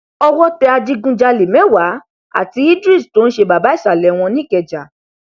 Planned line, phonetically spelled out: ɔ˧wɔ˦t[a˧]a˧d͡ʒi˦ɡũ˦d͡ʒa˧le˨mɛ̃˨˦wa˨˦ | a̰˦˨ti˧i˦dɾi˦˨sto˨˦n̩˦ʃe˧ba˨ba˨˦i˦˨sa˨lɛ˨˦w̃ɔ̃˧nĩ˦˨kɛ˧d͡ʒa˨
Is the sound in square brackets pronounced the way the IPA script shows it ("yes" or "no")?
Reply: no